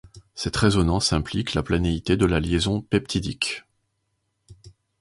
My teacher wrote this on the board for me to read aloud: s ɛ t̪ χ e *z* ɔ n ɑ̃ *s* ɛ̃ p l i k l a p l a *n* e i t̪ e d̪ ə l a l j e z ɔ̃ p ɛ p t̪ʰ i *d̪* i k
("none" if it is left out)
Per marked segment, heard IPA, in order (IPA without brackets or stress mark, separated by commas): z, s, n, d̪